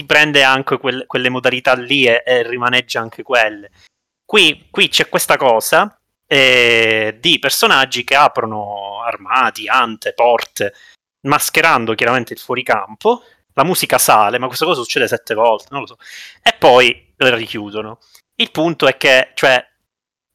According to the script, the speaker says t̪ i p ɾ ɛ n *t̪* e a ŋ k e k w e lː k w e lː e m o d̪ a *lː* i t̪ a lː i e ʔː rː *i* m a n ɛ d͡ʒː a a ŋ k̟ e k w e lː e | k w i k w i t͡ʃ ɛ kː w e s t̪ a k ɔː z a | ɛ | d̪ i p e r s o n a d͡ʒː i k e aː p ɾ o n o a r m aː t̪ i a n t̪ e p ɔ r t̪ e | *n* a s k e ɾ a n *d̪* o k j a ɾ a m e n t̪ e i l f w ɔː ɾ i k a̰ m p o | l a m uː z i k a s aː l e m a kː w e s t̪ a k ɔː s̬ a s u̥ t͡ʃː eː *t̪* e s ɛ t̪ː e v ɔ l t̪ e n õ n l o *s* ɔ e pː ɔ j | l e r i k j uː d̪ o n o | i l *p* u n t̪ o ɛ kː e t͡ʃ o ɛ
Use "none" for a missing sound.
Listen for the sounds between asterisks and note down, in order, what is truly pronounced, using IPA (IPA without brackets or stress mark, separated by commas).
d̪, l, i, m, d̪, d̪, s, p